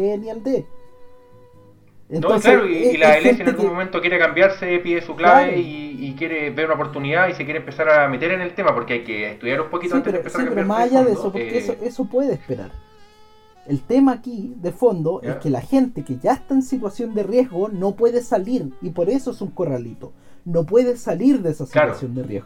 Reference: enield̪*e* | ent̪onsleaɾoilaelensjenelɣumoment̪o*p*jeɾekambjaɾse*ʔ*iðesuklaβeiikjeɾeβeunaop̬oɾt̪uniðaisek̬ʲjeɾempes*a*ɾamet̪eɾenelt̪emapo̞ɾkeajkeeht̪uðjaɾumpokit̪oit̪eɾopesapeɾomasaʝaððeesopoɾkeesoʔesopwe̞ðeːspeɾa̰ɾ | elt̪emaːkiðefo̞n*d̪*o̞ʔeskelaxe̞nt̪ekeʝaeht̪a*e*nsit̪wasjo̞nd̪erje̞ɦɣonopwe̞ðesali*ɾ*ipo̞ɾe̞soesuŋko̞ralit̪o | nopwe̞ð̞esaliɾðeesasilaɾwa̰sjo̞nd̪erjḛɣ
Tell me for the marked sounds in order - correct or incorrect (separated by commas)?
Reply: correct, incorrect, incorrect, correct, correct, correct, correct